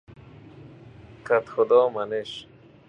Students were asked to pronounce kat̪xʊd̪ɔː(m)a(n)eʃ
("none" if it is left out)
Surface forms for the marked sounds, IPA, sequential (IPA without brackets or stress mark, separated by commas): m, n